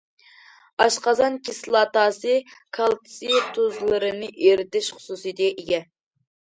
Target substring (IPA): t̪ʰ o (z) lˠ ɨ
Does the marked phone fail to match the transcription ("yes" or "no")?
no